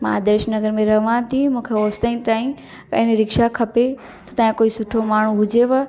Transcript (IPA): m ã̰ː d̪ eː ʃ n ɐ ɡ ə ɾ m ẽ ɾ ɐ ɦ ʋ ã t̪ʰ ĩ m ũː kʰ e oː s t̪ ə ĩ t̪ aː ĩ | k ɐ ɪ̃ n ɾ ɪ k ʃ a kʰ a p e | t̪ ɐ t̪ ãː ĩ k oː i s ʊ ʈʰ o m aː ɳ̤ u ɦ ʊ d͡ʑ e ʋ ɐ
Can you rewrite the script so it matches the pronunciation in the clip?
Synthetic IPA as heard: m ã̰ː d̪ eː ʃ n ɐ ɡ ə ɾ m ẽ ɾ ɐ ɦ ʋ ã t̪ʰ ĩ m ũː kʰ e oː s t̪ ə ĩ t̪ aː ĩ | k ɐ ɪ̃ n ɾ ɪ k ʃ a kʰ ɐ p e | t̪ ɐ t̪ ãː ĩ k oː i s ʊ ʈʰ o m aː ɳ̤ u ɦ ʊ d͡ʑ e ʋ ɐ